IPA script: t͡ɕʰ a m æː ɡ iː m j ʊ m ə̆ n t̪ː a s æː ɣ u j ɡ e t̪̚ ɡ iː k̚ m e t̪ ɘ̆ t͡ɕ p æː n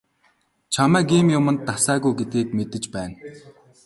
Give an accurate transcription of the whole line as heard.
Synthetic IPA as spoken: t͡ɕʰ a m æː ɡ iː m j ʊ m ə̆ n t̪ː a s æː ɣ u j ɡ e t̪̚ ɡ iː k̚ m e t̪ ɘ̆ t͡ɕ p æː n